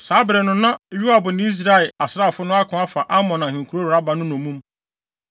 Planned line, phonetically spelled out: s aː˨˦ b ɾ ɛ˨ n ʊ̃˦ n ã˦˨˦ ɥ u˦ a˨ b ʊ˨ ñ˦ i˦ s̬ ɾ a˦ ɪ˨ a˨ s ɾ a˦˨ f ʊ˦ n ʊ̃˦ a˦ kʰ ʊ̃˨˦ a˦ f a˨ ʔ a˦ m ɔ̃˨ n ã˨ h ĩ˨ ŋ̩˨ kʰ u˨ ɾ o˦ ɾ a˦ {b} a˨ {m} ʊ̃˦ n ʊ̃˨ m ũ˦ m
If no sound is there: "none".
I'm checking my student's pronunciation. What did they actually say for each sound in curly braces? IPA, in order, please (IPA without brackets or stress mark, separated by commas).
b, n